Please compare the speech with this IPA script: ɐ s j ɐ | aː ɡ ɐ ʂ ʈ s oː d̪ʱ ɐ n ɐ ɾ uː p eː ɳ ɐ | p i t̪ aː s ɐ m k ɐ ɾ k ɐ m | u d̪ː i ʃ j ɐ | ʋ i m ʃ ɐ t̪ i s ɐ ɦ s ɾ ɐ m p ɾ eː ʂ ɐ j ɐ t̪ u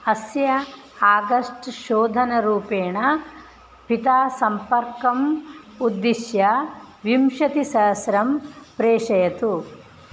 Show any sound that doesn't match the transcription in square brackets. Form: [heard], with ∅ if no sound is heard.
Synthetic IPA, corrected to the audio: ɐ s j ɐ | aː ɡ ɐ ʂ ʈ [ʃ] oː d̪ʱ ɐ n ɐ ɾ uː p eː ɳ ɐ | p i t̪ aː s ɐ m [p] ɐ ɾ k ɐ m | u d̪ː i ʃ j ɐ | ʋ i m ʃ ɐ t̪ i s ɐ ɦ s ɾ ɐ m p ɾ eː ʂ ɐ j ɐ t̪ u